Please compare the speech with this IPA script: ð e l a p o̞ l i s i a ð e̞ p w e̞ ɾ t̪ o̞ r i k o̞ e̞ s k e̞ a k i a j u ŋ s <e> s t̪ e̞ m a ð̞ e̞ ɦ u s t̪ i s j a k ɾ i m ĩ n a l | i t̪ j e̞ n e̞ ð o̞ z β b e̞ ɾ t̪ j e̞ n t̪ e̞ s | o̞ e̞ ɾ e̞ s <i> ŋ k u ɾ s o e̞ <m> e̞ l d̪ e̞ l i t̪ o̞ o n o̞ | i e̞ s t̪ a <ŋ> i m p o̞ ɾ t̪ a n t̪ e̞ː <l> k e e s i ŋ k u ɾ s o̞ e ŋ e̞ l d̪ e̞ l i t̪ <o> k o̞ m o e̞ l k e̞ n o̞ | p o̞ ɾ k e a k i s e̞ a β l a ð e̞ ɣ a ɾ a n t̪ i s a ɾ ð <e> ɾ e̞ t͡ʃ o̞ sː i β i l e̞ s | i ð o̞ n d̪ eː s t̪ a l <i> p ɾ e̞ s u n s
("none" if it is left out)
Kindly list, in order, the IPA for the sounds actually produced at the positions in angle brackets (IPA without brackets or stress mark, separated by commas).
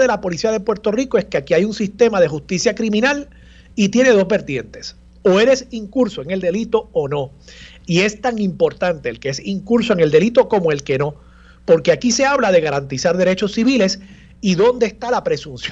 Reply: i, i, ŋ, ŋ, l, o, e, a